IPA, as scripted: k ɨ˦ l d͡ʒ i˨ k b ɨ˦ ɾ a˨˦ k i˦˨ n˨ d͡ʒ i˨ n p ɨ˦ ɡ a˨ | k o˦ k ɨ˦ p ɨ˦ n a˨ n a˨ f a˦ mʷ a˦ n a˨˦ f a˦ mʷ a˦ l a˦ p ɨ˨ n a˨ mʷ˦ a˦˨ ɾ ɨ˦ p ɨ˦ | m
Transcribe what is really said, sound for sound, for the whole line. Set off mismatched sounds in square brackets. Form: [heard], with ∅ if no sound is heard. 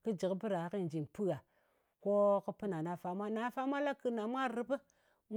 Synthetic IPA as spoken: k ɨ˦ [∅] d͡ʒ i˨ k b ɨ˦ ɾ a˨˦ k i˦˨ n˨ d͡ʒ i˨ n p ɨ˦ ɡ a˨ | k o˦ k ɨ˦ p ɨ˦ n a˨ n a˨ f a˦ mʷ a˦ n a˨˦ f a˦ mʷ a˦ l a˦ [k] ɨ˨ n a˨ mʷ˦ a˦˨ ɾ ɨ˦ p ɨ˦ | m